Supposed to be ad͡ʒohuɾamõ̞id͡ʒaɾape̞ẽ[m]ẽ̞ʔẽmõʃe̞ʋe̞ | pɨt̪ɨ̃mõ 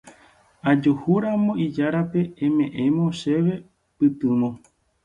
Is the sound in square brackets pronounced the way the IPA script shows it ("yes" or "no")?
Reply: yes